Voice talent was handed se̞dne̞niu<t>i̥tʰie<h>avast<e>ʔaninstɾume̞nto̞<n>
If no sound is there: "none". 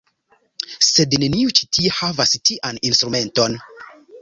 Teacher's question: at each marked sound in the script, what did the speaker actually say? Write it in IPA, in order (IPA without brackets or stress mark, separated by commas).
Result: t͡ʃ, h, i, n